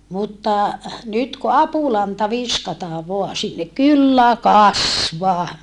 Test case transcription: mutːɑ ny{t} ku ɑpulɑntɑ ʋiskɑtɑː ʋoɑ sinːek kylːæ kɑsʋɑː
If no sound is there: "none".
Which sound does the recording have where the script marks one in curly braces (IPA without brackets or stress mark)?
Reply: t